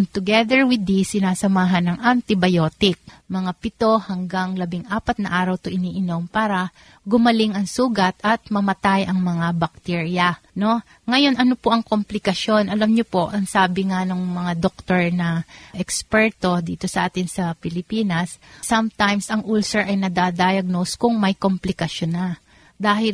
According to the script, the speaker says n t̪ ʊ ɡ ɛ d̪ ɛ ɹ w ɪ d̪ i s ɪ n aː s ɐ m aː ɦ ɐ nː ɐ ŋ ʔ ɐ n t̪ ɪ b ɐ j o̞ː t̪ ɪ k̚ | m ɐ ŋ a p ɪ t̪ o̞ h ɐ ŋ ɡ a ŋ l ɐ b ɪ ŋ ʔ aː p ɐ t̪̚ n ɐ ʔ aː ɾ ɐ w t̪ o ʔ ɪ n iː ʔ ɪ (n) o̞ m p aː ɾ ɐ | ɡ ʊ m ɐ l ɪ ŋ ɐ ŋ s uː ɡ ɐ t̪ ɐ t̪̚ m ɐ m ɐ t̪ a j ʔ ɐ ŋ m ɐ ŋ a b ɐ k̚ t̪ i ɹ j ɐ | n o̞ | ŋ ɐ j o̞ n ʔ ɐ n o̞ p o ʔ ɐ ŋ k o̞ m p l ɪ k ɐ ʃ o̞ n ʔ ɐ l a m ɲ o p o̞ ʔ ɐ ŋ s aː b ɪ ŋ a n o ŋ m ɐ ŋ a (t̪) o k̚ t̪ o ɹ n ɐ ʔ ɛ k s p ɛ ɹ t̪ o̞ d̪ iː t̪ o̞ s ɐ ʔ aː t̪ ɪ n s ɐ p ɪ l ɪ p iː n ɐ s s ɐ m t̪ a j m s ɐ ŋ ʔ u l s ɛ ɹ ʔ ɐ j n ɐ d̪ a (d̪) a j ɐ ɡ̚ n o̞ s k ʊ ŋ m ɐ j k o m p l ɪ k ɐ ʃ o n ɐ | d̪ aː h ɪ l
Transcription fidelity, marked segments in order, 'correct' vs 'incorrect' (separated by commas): correct, incorrect, correct